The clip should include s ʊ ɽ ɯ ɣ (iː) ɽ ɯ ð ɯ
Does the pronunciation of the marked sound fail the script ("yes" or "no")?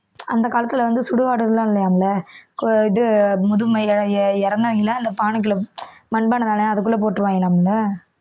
yes